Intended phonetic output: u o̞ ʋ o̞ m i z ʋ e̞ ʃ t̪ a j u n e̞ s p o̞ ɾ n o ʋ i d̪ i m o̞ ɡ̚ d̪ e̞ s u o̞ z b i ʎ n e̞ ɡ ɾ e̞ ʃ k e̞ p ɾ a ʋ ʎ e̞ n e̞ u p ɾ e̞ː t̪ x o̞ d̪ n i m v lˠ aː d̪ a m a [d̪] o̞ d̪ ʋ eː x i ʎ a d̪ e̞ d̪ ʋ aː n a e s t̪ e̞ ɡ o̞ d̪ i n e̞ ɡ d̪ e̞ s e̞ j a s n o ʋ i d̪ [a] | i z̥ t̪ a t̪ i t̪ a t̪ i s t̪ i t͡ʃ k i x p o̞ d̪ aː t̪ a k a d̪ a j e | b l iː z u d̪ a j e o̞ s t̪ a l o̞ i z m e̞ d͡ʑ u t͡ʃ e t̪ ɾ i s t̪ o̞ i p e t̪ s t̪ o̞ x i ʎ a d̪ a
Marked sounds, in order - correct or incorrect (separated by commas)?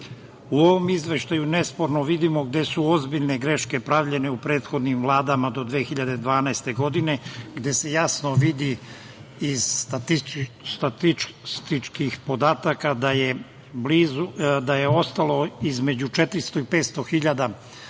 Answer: correct, incorrect